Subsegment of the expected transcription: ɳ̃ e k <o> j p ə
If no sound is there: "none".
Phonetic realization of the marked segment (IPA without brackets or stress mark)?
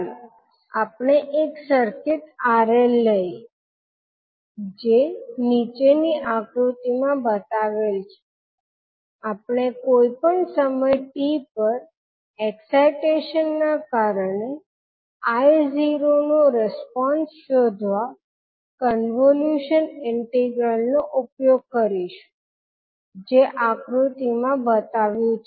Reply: o